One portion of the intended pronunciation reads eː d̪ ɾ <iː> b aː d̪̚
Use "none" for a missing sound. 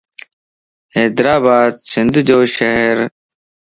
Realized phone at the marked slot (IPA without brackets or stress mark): aː